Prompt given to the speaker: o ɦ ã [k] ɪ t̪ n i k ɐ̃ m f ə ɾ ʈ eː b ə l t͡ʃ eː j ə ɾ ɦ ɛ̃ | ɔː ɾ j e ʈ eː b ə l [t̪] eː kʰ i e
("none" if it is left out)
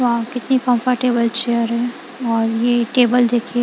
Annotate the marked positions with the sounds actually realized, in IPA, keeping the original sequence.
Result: k, d̪

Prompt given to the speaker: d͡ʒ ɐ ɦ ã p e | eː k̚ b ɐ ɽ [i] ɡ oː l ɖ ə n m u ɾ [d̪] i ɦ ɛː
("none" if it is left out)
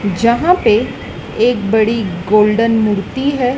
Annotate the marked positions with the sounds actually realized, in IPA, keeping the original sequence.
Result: i, t̪

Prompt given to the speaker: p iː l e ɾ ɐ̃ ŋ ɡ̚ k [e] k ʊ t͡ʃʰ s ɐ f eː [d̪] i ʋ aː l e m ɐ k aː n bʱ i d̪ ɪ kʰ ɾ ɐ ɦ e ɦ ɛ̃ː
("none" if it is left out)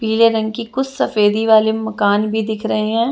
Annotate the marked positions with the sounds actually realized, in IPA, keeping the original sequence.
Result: i, d̪

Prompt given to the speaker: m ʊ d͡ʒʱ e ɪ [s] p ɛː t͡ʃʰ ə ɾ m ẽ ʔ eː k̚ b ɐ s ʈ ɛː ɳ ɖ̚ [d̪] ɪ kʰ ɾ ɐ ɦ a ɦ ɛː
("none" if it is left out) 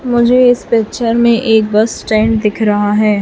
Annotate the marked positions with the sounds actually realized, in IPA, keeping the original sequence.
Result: s, d̪

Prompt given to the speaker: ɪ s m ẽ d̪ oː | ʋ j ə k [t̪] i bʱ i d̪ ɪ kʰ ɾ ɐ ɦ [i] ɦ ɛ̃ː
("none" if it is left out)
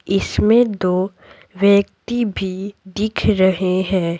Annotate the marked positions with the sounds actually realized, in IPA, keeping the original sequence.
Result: t̪, e

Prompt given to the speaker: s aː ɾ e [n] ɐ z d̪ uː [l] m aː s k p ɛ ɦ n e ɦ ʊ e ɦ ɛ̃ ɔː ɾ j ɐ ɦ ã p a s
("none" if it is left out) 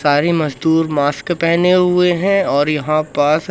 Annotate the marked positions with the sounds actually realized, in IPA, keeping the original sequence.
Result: m, ɾ

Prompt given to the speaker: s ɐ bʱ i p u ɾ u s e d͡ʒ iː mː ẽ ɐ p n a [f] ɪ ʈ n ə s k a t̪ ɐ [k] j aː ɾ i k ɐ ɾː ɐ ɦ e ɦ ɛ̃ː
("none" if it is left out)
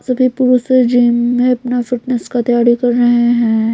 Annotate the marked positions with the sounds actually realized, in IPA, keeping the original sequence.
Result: f, none

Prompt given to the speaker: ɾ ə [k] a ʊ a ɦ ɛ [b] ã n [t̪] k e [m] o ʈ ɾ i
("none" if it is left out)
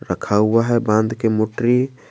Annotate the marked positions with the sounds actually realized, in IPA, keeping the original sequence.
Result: kʰ, b, d̪, m

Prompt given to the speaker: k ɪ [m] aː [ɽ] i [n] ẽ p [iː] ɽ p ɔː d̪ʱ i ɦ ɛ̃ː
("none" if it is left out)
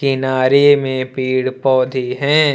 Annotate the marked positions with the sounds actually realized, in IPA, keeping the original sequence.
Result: n, ɾ, m, iː

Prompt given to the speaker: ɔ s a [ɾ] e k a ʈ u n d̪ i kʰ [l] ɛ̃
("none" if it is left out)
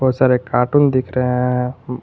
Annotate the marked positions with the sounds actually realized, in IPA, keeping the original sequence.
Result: ɾ, ɾ

